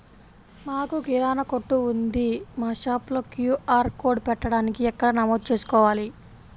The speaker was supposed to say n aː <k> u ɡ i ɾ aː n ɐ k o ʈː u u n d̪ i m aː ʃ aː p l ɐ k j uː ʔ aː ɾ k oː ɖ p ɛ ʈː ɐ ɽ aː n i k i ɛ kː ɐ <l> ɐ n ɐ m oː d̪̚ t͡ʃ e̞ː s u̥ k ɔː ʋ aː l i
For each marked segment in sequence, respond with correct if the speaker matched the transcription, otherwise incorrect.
correct, incorrect: ɽ

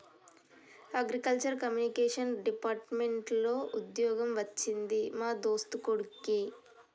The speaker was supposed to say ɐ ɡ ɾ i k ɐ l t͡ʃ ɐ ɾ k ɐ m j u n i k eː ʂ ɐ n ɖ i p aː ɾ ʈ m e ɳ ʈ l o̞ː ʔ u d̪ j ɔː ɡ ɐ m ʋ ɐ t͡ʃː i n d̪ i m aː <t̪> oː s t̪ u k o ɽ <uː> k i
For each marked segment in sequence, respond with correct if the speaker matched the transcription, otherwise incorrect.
incorrect: d̪, incorrect: u

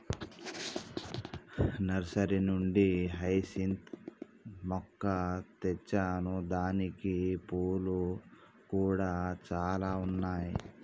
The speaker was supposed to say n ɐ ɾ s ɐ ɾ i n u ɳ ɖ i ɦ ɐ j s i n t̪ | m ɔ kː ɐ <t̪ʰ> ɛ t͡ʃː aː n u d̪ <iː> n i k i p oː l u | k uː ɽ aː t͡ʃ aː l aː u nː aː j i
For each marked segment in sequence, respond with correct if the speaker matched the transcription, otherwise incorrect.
incorrect: t̪, incorrect: aː

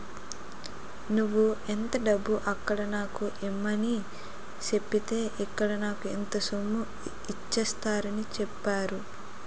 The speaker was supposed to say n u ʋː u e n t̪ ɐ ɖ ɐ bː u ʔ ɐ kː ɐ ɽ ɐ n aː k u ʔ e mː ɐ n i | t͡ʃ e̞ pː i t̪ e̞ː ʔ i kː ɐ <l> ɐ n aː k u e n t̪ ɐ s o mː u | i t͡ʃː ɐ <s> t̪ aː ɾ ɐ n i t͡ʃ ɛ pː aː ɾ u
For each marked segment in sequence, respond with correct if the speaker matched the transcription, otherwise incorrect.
incorrect: ɽ, correct

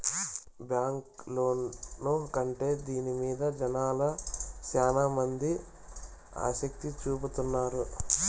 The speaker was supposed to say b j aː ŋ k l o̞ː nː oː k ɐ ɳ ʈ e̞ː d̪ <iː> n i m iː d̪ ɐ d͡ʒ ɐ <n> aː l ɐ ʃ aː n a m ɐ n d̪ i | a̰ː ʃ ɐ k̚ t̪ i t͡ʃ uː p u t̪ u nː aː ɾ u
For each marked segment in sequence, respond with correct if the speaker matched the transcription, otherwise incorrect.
correct, correct

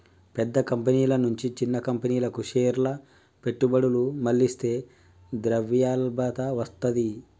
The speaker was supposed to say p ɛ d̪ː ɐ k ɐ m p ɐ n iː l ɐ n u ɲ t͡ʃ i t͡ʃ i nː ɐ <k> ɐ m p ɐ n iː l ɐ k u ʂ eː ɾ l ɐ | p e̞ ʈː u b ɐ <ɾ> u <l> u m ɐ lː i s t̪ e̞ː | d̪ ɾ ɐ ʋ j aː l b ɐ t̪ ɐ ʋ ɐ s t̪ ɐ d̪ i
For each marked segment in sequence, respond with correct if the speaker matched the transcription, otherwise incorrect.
correct, incorrect: ɽ, correct

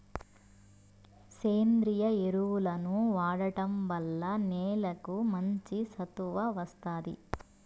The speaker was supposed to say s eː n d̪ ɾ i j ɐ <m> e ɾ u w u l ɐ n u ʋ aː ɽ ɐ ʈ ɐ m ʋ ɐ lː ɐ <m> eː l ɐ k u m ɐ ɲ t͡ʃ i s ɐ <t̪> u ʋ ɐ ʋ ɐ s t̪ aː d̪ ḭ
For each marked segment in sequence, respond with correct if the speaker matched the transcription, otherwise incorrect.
incorrect: none, incorrect: n, correct

